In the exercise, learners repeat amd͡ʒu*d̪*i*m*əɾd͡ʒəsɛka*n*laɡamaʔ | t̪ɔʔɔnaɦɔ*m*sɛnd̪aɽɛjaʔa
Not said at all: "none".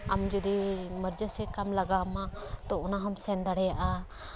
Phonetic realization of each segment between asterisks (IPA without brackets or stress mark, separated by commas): d̪, m, m, m